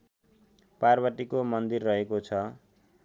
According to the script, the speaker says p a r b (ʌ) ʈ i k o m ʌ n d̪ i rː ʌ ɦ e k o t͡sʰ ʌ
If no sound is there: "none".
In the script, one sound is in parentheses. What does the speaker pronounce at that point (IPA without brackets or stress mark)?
ʌ